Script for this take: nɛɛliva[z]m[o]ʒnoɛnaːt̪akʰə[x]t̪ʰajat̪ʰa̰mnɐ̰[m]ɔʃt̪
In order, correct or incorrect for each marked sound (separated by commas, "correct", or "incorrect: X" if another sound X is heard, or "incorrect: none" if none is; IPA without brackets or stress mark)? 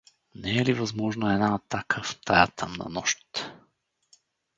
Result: correct, incorrect: ɔ, incorrect: f, incorrect: n